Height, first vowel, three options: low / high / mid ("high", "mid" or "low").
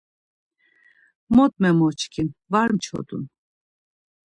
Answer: mid